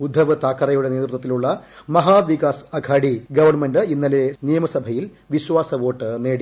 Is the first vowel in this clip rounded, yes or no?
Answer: yes